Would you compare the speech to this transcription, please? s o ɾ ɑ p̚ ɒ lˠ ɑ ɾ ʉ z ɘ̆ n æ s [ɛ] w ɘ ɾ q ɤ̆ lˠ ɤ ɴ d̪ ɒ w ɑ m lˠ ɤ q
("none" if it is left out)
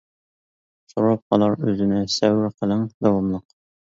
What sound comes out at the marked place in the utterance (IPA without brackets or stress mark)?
æ